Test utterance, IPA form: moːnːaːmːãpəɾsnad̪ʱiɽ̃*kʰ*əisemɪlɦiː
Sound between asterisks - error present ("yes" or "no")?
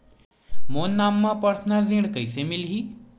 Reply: yes